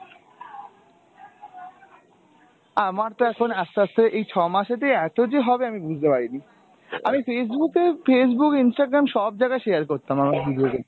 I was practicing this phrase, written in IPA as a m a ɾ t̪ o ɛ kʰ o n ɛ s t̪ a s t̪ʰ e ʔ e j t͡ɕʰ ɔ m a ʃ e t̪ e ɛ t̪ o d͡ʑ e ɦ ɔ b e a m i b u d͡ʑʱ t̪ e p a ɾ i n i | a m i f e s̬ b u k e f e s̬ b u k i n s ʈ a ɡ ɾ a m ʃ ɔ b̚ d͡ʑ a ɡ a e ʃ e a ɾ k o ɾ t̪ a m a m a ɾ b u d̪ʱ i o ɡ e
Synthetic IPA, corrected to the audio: a m a ɾ t̪ o ɛ kʰ o n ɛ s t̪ a s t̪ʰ e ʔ e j t͡ɕʰ ɔ m a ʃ e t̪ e ɛ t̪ o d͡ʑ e ɦ ɔ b e a m i b u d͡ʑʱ t̪ e p a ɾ i n i | a m i f e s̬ b u k e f e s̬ b u k i n s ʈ a ɡ ɾ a m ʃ ɔ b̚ d͡ʑ a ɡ a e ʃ e a ɾ k o ɾ t̪ a m a m a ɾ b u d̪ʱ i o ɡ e

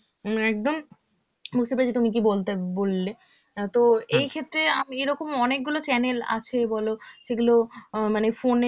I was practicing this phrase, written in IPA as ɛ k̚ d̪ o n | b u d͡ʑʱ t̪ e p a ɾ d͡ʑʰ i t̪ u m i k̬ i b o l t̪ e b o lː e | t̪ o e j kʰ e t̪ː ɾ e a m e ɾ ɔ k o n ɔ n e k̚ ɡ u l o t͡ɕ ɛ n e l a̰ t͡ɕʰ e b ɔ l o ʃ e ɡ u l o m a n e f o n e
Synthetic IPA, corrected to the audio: ɛ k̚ d̪ o m | b u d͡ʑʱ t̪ e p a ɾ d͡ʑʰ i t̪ u m i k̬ i b o l t̪ e b o lː e | t̪ o e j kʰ e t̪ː ɾ e a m e ɾ ɔ k o m ɔ n e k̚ ɡ u l o t͡ɕ ɛ n e l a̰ t͡ɕʰ e b ɔ l o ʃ e ɡ u l o m a n e f o n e

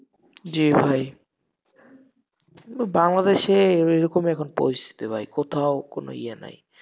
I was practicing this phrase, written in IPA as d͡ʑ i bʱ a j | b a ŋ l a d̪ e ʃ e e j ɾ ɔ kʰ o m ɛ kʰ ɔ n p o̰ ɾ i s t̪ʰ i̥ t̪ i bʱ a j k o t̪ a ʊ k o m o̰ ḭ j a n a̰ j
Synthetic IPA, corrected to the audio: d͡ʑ i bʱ a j | b a ŋ l a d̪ e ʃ e e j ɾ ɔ k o m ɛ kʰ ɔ n p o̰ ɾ i s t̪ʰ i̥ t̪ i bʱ a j k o t̪ʰ a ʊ k o n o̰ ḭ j a n a̰ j

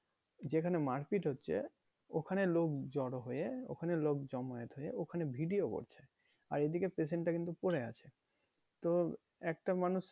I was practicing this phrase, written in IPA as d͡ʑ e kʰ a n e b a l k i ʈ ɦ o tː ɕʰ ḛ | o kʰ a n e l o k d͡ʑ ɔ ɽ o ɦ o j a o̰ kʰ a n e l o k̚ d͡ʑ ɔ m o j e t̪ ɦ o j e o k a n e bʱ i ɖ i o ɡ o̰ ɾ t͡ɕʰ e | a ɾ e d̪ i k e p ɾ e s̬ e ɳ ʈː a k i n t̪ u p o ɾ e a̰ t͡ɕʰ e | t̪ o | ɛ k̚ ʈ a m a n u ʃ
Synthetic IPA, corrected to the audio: d͡ʑ e kʰ a n e m a ɾ k i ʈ ɦ o tː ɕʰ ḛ | o kʰ a n e l o k d͡ʑ ɔ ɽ o ɦ o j e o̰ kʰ a n e l o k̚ d͡ʑ ɔ m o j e t̪ ɦ o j e o kʰ a n e bʱ i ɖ i o k o̰ ɾ t͡ɕʰ e | a ɾ e d̪ i k e p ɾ e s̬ e ɳ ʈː a k i n t̪ u p o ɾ e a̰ t͡ɕʰ e | t̪ o | ɛ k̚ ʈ a m a n u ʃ

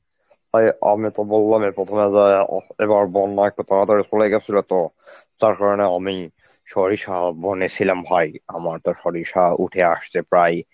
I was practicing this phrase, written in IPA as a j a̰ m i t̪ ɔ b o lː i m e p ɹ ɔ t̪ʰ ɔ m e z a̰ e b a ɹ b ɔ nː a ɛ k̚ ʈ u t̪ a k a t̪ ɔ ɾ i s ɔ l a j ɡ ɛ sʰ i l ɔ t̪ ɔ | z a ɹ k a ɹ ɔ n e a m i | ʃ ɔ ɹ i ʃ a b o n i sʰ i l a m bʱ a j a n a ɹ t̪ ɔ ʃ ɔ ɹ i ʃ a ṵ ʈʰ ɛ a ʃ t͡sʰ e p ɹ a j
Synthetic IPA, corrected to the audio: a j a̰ m i t̪ ɔ b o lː a m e p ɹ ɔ t̪ʰ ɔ m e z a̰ e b a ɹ b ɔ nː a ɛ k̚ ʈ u t̪ a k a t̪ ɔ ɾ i s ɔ l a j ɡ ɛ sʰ i l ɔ t̪ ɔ | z a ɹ k a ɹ ɔ n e a m i | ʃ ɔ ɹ i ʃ a b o n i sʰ i l a m bʱ a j a m a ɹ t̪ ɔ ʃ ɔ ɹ i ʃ a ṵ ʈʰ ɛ a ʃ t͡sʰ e p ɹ a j

